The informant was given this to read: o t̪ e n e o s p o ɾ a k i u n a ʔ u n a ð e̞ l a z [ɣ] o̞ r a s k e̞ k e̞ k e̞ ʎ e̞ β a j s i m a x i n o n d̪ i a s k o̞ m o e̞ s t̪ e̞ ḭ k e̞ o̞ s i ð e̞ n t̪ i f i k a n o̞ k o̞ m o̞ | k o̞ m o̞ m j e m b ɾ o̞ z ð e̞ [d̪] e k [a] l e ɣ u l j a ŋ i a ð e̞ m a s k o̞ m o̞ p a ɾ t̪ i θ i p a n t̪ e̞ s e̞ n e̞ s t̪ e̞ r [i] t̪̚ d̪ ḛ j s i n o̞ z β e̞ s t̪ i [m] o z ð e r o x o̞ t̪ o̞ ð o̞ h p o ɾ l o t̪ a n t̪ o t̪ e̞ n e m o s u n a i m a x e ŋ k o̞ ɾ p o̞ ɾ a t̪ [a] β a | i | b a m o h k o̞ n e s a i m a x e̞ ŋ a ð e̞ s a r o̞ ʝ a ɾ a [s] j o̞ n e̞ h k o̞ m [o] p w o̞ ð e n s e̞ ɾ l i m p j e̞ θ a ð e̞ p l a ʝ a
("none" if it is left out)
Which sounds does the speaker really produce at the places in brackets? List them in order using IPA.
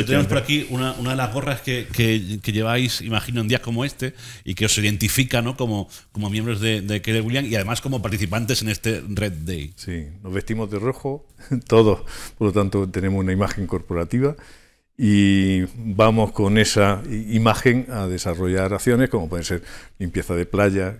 ɣ, d̪, e, e, m, i, θ, o

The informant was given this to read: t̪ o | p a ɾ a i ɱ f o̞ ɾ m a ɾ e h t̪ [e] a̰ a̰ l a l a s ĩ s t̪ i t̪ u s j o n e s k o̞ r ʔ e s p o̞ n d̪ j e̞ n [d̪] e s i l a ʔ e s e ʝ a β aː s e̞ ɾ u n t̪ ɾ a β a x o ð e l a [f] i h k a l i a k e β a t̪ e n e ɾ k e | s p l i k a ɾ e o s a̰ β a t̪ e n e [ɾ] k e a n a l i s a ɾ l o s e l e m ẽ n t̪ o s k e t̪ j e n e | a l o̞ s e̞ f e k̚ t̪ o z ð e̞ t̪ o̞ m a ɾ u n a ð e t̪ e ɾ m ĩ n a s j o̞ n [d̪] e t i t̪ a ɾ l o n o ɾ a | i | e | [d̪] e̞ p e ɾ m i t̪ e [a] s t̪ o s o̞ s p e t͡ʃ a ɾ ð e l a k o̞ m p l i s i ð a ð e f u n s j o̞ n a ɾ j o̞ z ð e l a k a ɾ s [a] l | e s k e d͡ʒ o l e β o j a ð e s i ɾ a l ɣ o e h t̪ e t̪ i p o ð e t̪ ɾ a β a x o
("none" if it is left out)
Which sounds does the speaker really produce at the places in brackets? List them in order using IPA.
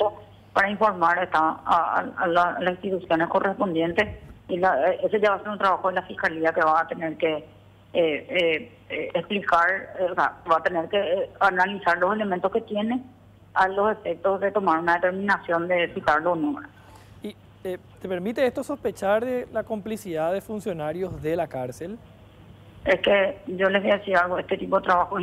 a, t̪, f, ɾ, d̪, t̪, e, e

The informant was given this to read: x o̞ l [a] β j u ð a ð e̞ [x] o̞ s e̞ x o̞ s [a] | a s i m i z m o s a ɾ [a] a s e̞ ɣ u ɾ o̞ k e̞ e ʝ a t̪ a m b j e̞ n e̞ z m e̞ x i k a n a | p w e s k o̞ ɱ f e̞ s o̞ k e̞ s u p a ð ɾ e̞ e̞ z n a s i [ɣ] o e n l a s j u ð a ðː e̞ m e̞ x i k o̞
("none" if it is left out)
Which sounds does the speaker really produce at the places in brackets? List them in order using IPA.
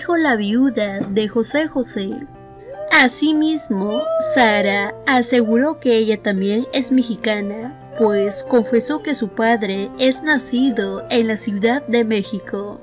a, x, e, a, ð

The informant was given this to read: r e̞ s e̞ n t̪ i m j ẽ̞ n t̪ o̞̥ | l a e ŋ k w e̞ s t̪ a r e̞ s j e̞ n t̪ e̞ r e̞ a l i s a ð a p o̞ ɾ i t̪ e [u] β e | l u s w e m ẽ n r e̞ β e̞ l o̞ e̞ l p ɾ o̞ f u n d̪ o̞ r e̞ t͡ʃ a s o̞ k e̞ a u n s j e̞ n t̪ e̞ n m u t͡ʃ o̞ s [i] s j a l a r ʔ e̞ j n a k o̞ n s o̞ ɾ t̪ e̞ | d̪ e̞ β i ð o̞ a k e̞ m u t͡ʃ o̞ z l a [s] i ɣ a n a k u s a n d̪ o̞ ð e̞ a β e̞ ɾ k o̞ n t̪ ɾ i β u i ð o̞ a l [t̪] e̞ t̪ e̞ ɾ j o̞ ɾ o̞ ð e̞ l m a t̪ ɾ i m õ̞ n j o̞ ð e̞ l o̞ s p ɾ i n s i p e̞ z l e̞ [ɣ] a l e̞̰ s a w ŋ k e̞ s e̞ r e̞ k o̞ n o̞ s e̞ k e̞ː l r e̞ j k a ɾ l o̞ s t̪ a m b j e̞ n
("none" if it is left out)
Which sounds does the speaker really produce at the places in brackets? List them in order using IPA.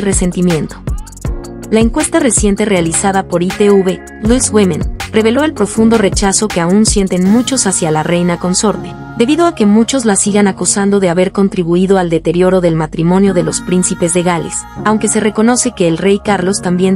u, a, s, d̪, ɣ

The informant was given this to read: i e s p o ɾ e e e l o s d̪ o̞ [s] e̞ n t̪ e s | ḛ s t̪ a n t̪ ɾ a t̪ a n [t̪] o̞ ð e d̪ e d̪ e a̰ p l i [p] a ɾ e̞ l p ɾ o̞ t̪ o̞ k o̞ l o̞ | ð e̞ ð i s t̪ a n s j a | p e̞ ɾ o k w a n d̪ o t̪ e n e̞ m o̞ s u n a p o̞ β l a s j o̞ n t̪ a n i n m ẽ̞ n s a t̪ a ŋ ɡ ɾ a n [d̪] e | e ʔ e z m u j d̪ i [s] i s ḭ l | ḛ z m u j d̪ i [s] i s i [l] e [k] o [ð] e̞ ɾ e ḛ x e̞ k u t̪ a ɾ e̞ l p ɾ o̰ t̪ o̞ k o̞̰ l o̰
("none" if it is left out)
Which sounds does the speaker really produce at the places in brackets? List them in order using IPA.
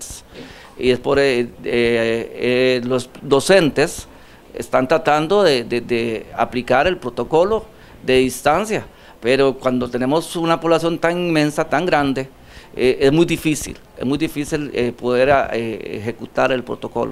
s, d̪, k, d̪, f, f, l, p, ð

